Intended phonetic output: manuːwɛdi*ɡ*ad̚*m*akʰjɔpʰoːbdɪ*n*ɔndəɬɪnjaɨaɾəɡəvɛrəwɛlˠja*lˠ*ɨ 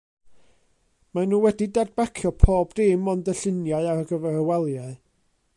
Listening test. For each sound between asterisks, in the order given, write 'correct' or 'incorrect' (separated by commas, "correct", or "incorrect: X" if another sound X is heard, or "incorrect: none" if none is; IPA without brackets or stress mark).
incorrect: d, incorrect: b, incorrect: m, incorrect: none